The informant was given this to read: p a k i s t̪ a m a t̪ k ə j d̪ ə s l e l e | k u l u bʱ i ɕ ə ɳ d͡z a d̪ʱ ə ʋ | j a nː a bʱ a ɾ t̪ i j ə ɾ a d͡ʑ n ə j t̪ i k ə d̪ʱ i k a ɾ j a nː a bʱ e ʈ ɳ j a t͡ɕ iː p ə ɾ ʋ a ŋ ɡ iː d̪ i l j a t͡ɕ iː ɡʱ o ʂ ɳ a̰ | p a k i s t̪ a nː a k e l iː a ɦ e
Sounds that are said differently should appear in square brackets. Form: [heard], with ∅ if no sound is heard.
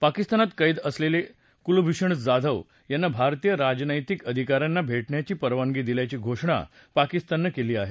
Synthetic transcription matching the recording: p a k i s t̪ a [n] a t̪ k ə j d̪ ə s l e l e | k u l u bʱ i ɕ ə ɳ d͡z a d̪ʱ ə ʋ | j a nː a bʱ a ɾ t̪ i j ə ɾ a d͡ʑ n ə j t̪ i k ə d̪ʱ i k a ɾ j a nː a bʱ e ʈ ɳ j a t͡ɕ iː p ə ɾ ʋ a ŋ ɡ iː d̪ i l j a t͡ɕ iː ɡʱ o ʂ ɳ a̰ | p a k i s t̪ a nː a k e l iː a ɦ e